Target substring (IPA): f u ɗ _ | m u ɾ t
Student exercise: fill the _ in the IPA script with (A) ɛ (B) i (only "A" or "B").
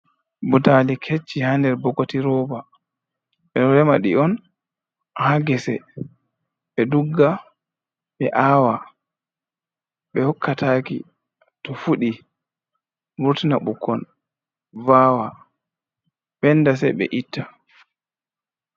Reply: B